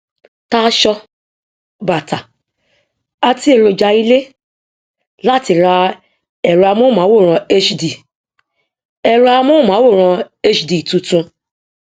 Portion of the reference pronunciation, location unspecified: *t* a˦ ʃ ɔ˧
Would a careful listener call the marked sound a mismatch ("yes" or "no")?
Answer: no